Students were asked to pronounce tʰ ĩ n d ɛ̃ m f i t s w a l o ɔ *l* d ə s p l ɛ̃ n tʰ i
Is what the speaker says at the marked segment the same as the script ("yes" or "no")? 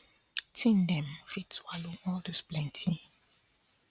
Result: yes